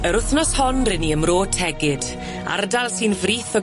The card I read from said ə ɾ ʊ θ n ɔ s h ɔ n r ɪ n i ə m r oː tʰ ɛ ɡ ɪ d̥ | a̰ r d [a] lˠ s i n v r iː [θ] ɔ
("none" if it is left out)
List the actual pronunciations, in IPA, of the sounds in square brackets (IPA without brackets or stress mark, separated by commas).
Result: a, θ